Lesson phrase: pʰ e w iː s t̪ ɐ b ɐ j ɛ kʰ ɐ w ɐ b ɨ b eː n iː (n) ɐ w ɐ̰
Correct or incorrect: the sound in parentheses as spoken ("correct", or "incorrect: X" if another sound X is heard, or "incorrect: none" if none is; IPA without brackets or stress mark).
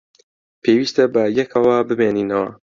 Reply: correct